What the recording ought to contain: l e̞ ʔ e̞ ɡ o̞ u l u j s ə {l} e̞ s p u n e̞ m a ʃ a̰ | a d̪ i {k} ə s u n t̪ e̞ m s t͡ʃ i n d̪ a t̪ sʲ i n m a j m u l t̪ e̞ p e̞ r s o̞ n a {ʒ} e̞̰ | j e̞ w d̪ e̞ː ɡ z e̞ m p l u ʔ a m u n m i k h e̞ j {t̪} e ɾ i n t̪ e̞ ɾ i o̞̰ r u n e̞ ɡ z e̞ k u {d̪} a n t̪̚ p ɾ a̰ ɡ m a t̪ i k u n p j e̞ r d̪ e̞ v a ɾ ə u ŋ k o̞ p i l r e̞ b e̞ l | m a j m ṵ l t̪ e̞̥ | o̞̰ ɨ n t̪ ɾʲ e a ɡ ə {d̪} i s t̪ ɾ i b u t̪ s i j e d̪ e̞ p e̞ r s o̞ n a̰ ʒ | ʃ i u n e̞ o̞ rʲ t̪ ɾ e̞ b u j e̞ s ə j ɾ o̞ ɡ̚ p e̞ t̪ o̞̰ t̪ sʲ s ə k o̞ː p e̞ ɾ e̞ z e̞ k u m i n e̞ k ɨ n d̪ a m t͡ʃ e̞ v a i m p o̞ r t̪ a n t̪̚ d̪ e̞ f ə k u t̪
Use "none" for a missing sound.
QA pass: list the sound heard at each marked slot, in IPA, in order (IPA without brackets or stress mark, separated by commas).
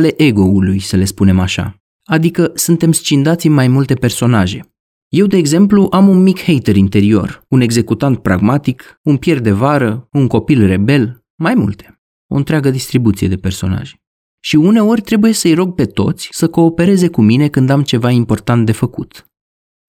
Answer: l, k, ʒ, t̪, t̪, d̪